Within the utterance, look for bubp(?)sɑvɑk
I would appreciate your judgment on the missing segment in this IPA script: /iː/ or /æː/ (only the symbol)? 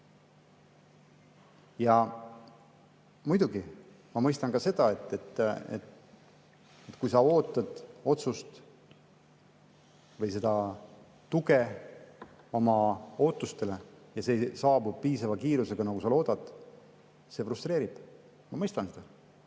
iː